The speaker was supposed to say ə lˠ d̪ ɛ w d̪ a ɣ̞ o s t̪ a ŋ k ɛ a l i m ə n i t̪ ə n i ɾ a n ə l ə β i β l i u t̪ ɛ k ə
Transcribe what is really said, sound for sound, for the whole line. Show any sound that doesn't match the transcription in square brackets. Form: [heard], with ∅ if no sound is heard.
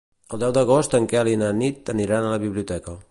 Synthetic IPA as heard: ə lˠ d̪ ɛ w d̪ [ə] ɣ̞ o s t̪ [ə] ŋ k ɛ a l i [n] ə n i t̪ ə n i ɾ a n ə l ə β i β l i u t̪ ɛ k ə

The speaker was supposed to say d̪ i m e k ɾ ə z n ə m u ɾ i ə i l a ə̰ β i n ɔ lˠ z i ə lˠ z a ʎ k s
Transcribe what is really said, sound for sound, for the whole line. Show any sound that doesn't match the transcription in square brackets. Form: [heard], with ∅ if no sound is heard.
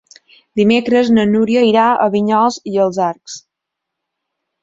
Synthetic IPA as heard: d̪ i m e k ɾ ə z n ə [n] u ɾ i ə i [ɾ] a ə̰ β i [ɲ] ɔ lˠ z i ə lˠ z a [ɾ] k s

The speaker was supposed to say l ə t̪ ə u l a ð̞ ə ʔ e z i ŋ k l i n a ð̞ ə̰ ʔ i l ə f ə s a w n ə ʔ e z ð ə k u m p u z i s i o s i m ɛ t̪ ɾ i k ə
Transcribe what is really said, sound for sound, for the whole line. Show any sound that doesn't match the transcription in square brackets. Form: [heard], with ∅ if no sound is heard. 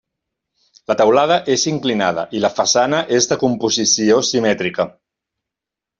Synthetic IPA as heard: l ə t̪ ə [w] l a ð̞ ə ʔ e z i ŋ k l i n a ð̞ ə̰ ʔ i l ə f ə s a [∅] n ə ʔ e z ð ə k u m p u z i s i o s i m ɛ t̪ ɾ i k ə

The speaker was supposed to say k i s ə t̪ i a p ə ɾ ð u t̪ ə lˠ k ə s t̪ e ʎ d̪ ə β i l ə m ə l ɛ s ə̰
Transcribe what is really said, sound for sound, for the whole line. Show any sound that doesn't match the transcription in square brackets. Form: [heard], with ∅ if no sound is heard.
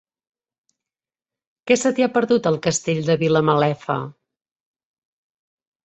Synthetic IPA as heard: k [ɛ] s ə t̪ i a p ə ɾ ð u t̪ ə lˠ k ə s t̪ e ʎ d̪ ə β i l ə m ə l ɛ [f] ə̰

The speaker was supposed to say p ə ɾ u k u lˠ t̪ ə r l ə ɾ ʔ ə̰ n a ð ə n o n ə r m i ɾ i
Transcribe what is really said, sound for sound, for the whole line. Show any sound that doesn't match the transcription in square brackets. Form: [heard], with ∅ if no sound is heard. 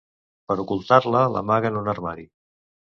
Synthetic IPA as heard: p ə ɾ u k u lˠ t̪ [a] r l ə [l] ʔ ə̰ [m] a [ɣ] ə n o n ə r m [a] ɾ i

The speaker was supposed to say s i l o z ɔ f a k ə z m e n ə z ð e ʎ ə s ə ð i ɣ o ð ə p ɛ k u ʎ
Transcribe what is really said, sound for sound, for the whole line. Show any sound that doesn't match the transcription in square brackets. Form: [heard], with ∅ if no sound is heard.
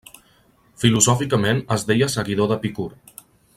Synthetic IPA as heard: [f] i l [u] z ɔ f [i] k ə [∅] m e n ə z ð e [j] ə s ə [ɣ] i [ð] o ð ə p [i] k u [ɾ]

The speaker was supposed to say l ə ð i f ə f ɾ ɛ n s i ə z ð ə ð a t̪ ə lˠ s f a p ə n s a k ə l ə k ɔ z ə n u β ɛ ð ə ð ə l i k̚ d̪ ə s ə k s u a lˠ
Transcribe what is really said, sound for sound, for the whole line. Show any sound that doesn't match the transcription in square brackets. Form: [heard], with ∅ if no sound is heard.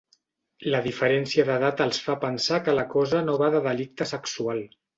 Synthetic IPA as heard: l ə ð i f ə [∅] ɾ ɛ n s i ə [∅] ð ə ð a t̪ ə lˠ s f a p ə n s a k ə l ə k ɔ z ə n [o] β [a] ð ə ð ə l i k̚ [t̪] ə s ə k s u a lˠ

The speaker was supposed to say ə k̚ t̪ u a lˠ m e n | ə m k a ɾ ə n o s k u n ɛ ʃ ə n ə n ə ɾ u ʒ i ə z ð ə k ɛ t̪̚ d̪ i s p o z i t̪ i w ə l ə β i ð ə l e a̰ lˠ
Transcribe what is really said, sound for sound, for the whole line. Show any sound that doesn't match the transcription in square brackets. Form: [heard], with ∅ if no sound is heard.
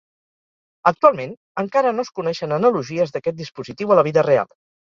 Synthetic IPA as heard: ə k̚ t̪ u a lˠ m e n | ə [ŋ] k a ɾ ə n o s k u n ɛ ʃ ə n ə n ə [l] u ʒ i ə z ð ə k ɛ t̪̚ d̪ i s p [u] z i t̪ i w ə l ə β i ð ə [r] e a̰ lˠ

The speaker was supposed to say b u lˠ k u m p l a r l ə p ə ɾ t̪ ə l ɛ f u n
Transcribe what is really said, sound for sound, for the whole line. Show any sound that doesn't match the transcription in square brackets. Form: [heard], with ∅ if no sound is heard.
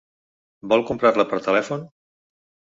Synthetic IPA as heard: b [ɔ] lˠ k u m p [ɾ] a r l ə p ə ɾ t̪ ə l ɛ f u n

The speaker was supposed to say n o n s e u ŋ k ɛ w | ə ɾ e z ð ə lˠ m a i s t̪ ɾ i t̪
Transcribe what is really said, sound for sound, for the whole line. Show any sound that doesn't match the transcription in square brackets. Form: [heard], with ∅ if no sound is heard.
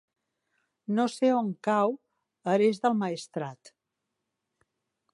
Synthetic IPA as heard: n o [∅] s e [o] ŋ k [a] w | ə ɾ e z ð ə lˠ m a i s t̪ ɾ [a] t̪

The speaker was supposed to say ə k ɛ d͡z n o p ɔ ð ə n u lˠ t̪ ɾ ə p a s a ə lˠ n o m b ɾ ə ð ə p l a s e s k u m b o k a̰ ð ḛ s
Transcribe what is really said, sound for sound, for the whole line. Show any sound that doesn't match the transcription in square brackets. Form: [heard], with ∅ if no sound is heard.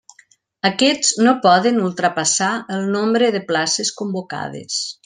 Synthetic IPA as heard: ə k ɛ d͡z n o p ɔ ð ə n u lˠ t̪ ɾ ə p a s a ə lˠ n o m b ɾ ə ð ə p l a s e s k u m b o k a̰ ð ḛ s

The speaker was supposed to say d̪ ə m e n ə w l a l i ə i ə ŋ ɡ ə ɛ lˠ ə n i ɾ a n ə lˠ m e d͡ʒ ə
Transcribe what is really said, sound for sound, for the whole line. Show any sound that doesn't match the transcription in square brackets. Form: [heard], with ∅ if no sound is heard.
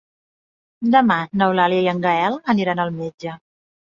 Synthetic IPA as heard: d̪ ə m [a] n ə w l a l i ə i ə ŋ ɡ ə ɛ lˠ ə n i ɾ a n ə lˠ m e d͡ʒ ə

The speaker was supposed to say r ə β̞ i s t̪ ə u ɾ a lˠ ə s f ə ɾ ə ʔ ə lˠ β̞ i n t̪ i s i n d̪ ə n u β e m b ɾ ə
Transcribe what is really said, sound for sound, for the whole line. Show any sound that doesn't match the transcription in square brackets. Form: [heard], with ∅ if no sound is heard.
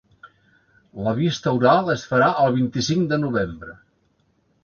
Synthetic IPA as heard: [l] ə β̞ i s t̪ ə u ɾ a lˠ ə s f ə ɾ [a] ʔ ə lˠ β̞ i n t̪ i s i [ŋ] d̪ ə n u β e m b ɾ ə

